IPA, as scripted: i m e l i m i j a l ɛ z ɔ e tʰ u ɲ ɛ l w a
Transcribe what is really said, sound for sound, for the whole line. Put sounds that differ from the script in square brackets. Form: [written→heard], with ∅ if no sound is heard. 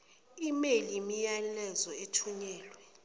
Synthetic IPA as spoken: i m e l i m i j a l ɛ z ɔ e tʰ u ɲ [ɛ→ɛː] l w [a→ɛ]